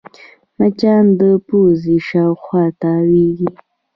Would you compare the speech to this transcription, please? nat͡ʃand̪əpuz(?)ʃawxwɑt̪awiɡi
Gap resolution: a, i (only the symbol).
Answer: i